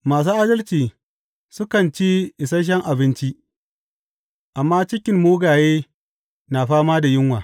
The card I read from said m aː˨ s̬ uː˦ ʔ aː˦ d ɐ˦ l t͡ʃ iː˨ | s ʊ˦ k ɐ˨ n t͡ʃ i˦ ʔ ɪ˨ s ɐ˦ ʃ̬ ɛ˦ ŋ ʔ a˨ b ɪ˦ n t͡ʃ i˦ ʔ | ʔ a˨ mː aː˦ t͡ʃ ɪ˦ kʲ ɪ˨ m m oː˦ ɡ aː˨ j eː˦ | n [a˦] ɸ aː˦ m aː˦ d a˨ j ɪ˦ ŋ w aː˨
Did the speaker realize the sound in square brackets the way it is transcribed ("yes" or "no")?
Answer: no